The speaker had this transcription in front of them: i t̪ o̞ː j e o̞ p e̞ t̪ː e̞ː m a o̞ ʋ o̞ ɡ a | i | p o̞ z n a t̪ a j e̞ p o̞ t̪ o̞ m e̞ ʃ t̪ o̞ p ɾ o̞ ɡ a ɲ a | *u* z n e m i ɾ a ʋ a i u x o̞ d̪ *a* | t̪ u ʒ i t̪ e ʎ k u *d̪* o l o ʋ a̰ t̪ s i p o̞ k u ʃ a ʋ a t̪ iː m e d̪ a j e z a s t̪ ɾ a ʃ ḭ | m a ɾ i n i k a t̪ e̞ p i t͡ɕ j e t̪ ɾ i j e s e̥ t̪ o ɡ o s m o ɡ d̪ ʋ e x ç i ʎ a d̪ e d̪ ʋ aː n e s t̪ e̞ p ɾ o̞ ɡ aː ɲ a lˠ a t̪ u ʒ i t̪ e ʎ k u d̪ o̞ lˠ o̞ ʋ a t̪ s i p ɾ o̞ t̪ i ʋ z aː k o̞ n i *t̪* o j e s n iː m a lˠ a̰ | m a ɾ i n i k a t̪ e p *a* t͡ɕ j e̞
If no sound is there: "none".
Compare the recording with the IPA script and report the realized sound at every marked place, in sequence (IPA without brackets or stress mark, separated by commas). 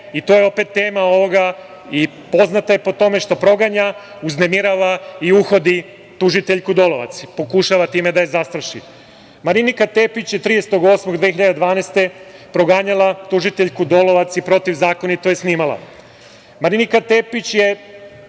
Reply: u, i, d̪, t̪, i